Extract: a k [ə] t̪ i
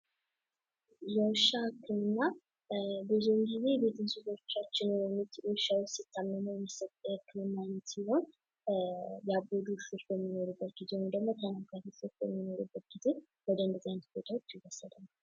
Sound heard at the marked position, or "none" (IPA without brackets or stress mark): a